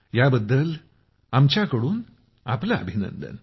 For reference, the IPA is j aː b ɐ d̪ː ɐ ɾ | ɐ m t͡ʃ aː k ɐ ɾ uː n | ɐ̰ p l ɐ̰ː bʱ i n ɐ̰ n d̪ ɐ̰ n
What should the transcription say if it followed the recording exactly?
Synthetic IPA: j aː b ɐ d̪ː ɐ l | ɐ m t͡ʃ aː k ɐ ɽ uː n | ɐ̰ p l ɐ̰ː bʱ i n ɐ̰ n d̪ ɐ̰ n